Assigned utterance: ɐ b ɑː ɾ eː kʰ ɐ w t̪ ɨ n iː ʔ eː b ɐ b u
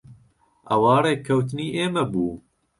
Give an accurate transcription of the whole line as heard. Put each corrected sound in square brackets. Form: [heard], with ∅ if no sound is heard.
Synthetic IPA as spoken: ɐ [w] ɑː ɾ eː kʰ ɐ w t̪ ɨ n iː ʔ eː [m] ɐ b [uː]